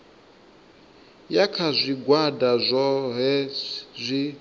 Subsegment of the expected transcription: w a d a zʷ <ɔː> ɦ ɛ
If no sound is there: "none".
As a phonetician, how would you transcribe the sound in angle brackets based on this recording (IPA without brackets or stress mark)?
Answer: ɔ